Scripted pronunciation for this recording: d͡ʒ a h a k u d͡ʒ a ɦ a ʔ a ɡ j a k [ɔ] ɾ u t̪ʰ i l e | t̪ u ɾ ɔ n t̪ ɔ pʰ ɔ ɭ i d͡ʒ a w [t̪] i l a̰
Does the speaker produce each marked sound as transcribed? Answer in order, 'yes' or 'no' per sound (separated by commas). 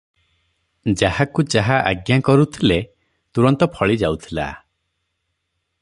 yes, no